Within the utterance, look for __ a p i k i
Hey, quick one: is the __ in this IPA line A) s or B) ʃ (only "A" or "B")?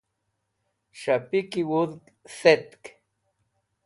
B